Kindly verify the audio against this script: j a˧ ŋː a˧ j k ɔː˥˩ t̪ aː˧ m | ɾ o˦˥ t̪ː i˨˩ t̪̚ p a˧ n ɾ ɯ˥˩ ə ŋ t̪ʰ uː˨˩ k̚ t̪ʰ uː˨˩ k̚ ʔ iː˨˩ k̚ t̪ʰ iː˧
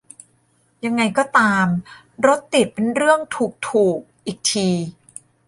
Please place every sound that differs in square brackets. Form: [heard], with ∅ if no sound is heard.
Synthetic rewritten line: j a˧ ŋː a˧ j k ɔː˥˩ t̪ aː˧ m | ɾ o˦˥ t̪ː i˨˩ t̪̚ p [e˧] n ɾ ɯ˥˩ ə ŋ t̪ʰ uː˨˩ k̚ t̪ʰ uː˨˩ k̚ ʔ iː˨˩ k̚ t̪ʰ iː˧